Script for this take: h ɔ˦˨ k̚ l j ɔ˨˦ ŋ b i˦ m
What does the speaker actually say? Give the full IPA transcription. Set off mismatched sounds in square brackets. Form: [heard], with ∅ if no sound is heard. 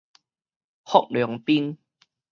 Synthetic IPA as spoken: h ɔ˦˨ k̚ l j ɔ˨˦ ŋ [p] i˦ [n]